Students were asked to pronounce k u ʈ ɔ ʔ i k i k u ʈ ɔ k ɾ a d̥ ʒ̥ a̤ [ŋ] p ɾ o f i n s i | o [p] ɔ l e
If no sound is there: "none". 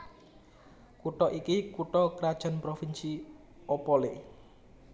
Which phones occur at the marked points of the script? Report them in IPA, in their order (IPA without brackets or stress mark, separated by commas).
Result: n, p